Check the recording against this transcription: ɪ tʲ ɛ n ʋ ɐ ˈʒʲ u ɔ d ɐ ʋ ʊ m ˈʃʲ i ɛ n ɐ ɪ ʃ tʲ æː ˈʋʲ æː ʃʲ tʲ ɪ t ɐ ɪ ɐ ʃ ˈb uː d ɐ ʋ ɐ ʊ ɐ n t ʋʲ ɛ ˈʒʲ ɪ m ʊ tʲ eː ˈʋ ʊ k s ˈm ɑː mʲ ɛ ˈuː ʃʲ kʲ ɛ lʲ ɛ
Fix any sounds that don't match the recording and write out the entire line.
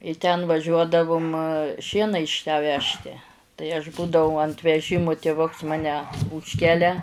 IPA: ɪ tʲ ɛ n ʋ ɐ ˈʒʲ u ɔ d ɐ ʋ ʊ m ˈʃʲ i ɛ n ɐ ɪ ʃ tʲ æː ˈʋʲ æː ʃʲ tʲ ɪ t ɐ ɪ ɐ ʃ ˈb uː d ɐ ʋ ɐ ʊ ɐ n t ʋʲ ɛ ˈʒʲ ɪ m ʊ tʲ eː ˈʋ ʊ k s ˈm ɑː nʲ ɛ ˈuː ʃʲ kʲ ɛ lʲ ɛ